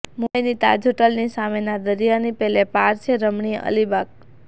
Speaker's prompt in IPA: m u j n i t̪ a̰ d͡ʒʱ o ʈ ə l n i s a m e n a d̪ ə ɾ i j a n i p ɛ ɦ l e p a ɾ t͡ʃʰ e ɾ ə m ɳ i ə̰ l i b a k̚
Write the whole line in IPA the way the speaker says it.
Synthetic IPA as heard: m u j n i t̪ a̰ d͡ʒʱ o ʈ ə l n i s a m e n a d̪ ə ɾ i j a n i p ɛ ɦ l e p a ɾ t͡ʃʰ e ɾ ə m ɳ i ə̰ l i b a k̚